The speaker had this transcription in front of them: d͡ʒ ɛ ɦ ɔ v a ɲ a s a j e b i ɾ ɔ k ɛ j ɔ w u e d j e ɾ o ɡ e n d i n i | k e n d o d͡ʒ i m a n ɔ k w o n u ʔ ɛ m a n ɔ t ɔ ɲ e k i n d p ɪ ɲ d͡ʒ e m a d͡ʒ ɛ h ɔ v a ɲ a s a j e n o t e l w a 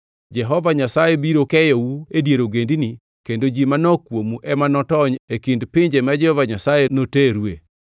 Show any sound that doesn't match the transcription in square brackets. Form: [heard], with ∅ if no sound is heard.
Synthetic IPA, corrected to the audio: d͡ʒ ɛ ɦ ɔ v a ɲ a s a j e b i ɾ [o] k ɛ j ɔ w u e d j e ɾ o ɡ e n d i n i | k e n d o d͡ʒ i m a n ɔ k w o [m] u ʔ ɛ m a n ɔ t ɔ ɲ e k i n d p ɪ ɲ d͡ʒ e m a d͡ʒ ɛ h ɔ v a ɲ a s a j e n o t e [ɾ] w [e]